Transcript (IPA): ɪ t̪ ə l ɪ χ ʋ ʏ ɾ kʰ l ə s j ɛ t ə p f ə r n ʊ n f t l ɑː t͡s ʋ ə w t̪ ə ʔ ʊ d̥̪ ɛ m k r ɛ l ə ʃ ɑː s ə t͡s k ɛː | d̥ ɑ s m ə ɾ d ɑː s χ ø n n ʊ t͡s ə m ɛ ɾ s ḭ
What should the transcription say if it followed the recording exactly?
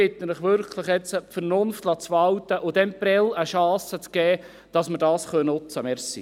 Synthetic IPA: ɪ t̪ ə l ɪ χ ʋ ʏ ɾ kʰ l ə χ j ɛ t͡s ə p f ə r n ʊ n f t l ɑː t͡s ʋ ɑ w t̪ ə ʔ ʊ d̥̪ ɛ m p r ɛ l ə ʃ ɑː s ə t͡s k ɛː | d̥ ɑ s m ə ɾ d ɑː s χ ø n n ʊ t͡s ə m ɛ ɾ s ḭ